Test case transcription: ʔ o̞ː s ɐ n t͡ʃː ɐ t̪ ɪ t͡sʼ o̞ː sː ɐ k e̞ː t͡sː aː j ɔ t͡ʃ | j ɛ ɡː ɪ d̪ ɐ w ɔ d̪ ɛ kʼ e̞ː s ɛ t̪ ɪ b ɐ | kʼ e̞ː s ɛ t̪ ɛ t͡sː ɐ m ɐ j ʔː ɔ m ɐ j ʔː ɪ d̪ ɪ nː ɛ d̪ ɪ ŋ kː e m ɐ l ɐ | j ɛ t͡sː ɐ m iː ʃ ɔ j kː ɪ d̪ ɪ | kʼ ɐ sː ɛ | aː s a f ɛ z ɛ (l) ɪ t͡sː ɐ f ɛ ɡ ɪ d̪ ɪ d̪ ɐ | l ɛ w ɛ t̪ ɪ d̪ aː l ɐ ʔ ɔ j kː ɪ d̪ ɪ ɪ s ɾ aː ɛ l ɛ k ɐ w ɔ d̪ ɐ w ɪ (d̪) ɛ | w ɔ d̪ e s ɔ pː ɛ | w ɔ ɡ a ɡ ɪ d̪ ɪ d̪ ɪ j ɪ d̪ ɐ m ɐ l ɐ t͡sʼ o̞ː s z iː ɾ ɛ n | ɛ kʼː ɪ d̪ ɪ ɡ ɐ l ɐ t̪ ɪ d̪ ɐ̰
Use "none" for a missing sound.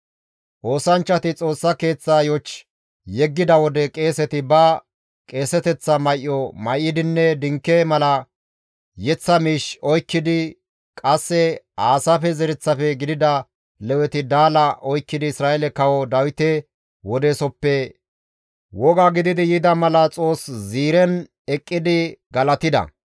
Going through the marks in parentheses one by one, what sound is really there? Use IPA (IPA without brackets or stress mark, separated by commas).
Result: ɾ, t̪